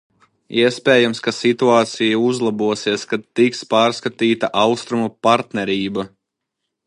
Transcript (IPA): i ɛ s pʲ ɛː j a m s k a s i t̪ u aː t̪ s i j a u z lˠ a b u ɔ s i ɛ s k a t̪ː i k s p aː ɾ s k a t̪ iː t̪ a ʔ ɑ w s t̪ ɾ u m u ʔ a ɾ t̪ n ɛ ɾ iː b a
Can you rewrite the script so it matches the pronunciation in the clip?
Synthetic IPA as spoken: i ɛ s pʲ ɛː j a m s k a s i t̪ u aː t̪ s i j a u z lˠ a b u ɔ s i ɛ s k a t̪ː i k s p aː ɾ s k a t̪ iː t̪ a ʔ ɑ w s t̪ ɾ u m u p a ɾ t̪ n ɛ ɾ iː b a